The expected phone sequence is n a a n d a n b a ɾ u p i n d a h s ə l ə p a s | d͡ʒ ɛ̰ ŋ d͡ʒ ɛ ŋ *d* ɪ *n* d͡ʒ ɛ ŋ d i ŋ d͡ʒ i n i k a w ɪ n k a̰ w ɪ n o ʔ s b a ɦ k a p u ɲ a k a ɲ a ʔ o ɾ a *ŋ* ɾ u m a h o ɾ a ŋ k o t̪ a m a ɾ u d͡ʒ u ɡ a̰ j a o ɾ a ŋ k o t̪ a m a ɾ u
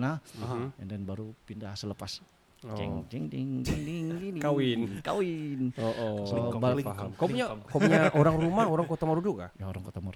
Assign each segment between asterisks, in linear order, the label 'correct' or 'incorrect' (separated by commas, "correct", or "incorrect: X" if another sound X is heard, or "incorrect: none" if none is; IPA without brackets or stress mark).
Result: correct, incorrect: ŋ, correct